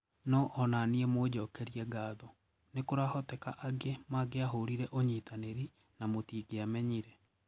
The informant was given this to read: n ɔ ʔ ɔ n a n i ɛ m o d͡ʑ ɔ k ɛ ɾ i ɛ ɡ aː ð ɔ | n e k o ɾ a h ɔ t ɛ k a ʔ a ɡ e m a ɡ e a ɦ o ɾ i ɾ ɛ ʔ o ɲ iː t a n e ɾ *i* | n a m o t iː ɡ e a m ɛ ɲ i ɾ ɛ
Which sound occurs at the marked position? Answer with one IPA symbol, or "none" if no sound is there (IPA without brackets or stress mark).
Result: i